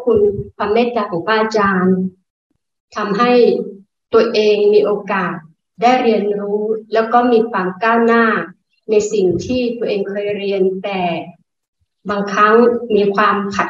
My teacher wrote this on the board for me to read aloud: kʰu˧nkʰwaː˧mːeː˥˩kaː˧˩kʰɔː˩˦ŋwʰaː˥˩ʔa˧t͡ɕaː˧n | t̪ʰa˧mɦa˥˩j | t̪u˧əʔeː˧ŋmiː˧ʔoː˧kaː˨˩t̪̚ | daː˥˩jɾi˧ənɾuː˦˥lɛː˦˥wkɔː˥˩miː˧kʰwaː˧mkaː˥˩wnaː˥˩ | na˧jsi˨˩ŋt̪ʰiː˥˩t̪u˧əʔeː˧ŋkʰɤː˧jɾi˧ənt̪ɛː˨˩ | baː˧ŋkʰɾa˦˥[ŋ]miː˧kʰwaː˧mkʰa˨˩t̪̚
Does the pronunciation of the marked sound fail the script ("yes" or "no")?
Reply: no